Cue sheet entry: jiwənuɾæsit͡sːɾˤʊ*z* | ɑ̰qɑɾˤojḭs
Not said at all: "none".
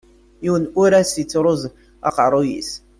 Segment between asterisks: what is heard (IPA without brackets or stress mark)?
z